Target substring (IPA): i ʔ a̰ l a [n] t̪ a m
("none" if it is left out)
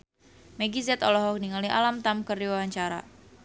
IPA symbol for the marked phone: m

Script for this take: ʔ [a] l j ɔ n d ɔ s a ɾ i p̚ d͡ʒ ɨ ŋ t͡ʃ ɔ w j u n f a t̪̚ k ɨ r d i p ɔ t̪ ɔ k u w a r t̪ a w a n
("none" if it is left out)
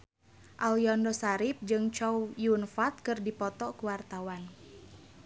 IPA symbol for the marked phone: a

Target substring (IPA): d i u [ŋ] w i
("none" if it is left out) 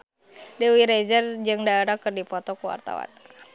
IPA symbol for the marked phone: none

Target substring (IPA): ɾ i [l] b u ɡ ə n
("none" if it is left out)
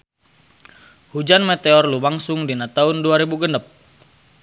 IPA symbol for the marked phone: none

